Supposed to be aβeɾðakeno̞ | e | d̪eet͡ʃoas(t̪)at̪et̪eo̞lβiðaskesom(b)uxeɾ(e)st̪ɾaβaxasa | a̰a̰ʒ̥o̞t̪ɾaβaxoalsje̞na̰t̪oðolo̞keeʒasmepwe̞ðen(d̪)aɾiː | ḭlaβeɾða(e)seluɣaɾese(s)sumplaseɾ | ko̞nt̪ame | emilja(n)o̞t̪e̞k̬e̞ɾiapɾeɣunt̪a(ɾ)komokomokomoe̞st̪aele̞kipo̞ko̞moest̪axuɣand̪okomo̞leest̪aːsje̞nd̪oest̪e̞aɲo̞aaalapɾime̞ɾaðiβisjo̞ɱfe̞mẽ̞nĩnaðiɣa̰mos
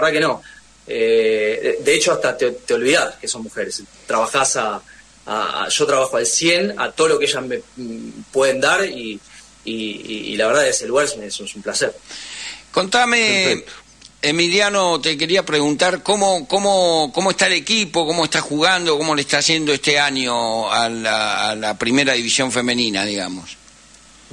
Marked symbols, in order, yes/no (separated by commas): yes, no, yes, yes, yes, yes, yes, yes